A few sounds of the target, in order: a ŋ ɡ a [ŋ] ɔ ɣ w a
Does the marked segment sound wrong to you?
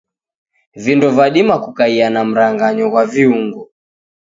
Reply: yes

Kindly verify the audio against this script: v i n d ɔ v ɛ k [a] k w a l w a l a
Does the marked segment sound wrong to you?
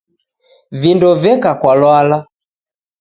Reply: no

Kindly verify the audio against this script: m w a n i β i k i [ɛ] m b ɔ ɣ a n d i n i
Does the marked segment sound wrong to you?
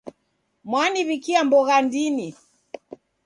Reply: yes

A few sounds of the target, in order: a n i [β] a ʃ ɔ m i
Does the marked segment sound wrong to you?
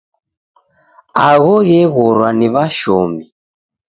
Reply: no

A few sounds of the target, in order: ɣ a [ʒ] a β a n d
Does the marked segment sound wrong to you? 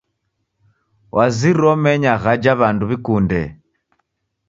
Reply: yes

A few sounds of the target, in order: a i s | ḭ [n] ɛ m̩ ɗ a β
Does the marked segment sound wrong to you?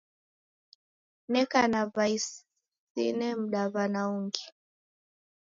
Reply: no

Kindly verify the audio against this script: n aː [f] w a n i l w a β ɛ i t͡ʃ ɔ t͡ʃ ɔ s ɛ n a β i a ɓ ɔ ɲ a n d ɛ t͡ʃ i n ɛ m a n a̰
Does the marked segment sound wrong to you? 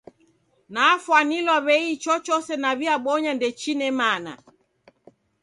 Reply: no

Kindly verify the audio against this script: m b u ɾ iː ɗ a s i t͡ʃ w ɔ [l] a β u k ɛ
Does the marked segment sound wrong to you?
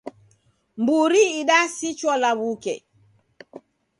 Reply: no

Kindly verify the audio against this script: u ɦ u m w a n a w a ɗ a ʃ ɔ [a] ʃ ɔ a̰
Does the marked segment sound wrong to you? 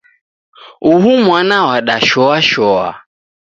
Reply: no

